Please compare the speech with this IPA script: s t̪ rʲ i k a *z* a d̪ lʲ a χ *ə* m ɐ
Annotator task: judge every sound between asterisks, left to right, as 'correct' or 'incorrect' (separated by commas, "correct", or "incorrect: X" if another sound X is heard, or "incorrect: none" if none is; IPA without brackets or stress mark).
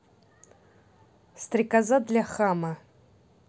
correct, incorrect: a